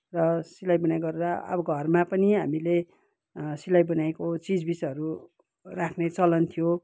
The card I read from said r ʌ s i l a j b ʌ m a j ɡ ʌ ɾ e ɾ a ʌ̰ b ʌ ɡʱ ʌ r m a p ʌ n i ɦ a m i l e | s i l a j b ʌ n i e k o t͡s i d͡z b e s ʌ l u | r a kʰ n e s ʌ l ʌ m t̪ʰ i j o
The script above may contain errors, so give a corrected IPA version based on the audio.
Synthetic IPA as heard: r ʌ s i l a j b ʌ n a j ɡ ʌ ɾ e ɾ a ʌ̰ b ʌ ɡʱ ʌ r m a p ʌ n i ɦ a m i l e | s i l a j b ʌ n a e k o t͡s i d͡z b i s ʌ ɾ u | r a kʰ n e t͡s ʌ l ʌ n t̪ʰ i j o